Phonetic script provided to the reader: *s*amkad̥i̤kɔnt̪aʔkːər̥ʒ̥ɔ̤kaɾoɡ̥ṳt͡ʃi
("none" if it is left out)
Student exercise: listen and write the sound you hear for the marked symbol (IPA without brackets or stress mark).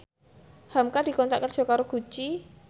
h